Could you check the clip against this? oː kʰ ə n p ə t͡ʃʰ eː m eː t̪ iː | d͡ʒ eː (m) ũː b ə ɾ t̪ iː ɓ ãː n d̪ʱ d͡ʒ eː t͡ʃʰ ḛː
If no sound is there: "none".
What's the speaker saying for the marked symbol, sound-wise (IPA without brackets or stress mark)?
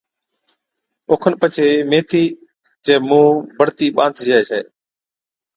m